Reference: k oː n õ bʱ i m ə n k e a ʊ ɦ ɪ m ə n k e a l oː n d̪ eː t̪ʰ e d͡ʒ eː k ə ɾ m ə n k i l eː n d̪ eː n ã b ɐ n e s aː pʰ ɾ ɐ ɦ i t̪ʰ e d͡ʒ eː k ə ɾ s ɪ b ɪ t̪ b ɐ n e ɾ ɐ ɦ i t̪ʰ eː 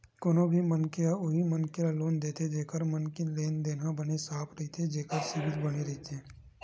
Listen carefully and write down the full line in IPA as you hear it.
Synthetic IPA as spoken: k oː n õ bʱ i m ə n k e a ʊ ɦ i m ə n k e a l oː n d̪ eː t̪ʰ e d͡ʒ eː k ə ɾ m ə n k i l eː n d̪ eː n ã b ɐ n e s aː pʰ ɾ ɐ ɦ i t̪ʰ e d͡ʒ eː k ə ɾ s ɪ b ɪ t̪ b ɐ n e ɾ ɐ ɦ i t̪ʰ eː